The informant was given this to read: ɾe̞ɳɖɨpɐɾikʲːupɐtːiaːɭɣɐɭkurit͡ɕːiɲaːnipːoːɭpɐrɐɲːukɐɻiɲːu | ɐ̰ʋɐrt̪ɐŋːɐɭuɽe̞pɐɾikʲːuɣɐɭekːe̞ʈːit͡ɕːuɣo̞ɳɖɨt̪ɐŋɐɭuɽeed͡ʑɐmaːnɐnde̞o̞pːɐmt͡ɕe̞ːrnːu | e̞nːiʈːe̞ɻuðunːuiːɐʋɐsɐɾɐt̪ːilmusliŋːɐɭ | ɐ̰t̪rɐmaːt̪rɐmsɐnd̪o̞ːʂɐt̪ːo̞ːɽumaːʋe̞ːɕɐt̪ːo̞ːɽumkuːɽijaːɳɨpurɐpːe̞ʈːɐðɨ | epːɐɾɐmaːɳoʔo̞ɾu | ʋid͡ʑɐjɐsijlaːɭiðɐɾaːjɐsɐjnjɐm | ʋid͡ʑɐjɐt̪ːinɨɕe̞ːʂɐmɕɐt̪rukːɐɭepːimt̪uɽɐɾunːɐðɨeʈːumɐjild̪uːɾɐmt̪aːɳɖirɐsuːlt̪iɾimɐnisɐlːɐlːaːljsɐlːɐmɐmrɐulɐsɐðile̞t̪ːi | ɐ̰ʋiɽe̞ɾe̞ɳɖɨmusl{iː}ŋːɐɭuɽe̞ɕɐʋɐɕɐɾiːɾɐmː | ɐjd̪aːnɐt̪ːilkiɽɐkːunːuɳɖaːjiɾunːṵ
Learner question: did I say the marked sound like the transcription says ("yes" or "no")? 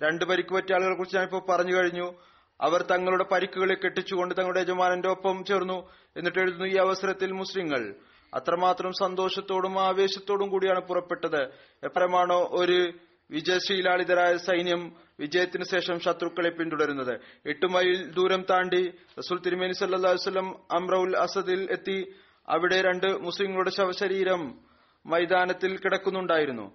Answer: no